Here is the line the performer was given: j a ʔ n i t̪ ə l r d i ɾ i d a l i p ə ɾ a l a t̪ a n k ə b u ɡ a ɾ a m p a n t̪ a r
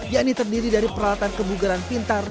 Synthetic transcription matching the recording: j a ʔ n i t̪ ə r d i ɾ i d a ɾ i p ə ɾ a l a t̪ a n k ə b u ɡ a ɾ a n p i n t̪ a r